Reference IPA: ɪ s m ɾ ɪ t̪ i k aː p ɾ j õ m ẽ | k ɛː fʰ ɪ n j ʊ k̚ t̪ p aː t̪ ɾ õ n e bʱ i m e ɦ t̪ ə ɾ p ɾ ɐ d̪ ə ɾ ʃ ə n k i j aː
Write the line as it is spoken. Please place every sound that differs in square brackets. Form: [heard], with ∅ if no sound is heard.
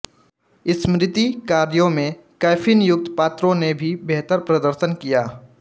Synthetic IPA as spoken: ɪ s m ɾ ɪ t̪ i k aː [∅] ɾ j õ m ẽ | k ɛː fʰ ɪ n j ʊ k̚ t̪ p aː t̪ ɾ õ n e bʱ i [b] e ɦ t̪ ə ɾ p ɾ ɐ d̪ ə ɾ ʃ ə n k i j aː